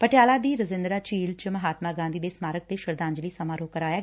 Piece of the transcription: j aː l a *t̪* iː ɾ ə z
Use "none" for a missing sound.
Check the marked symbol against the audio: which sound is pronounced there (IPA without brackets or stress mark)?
d̪